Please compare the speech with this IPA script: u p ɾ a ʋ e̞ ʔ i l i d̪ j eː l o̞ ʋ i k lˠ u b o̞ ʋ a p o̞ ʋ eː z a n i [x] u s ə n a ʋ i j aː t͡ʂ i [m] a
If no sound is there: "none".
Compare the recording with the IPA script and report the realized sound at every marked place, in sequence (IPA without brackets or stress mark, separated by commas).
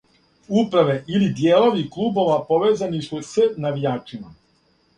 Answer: s, m